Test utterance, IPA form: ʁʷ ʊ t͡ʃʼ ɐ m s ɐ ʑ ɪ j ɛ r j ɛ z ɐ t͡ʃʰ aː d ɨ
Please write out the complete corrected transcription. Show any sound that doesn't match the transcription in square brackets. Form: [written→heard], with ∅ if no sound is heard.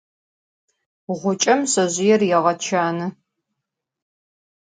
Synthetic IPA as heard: ʁʷ ʊ t͡ʃʼ ɐ m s ɐ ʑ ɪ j ɛ r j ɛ [z→ʁ] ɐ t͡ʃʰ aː [d→n] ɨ